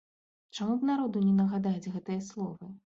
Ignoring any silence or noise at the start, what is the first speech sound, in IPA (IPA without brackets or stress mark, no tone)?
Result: t͡ʂ